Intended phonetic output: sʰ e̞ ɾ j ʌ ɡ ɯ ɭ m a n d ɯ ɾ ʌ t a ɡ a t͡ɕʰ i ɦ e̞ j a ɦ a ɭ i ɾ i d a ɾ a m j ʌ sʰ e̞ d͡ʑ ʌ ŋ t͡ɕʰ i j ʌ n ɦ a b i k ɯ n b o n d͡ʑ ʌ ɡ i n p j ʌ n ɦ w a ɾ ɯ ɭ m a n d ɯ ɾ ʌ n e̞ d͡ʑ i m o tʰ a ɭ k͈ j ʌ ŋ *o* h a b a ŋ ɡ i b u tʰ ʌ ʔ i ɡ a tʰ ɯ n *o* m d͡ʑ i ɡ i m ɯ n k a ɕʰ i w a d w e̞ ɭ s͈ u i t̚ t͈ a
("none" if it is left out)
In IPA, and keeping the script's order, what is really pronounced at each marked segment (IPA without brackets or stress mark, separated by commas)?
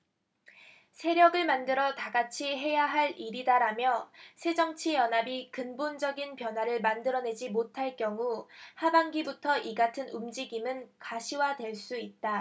u, u